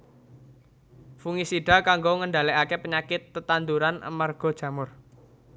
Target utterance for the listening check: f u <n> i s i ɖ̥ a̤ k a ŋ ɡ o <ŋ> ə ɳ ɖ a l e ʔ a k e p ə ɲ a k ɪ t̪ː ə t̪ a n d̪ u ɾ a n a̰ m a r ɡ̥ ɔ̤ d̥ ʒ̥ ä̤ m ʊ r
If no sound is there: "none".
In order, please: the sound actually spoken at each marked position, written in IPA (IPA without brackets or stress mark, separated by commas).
ŋ, ŋ